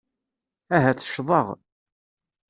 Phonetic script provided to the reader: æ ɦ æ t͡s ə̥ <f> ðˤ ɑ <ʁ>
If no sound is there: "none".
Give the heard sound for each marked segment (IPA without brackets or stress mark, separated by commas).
ʃ, ʁ